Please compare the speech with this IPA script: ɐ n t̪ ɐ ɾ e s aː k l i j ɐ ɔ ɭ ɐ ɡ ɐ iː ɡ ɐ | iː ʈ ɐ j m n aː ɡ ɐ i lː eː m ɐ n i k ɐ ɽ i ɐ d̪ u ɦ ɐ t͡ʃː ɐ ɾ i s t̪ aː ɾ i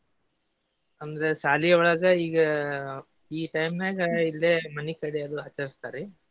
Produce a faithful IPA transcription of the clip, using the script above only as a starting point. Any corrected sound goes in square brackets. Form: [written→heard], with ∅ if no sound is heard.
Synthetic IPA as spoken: ɐ n [t̪→d̪] ɐ ɾ e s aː [k→∅] l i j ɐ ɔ ɭ ɐ ɡ ɐ iː ɡ ɐ | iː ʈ ɐ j m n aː ɡ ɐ i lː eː m ɐ n i k ɐ ɽ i ɐ d̪ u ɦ ɐ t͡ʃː ɐ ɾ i s t̪ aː ɾ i